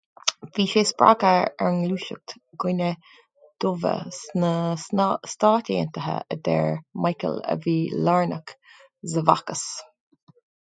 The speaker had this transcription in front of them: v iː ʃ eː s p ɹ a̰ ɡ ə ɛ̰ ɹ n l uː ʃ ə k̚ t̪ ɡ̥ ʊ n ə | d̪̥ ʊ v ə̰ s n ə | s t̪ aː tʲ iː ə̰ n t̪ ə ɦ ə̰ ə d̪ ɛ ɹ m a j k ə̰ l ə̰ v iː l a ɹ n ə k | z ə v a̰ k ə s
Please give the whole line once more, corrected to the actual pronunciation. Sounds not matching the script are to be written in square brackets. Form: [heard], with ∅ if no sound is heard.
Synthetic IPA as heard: v iː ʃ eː s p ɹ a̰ ɡ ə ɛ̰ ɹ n l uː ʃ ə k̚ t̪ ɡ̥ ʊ n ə | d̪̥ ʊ v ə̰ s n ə | s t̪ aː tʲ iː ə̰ n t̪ ə ɦ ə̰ ə d̪ ɛ ɹ m a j k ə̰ l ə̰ v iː l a ɹ n ə k | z ə v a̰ k ə s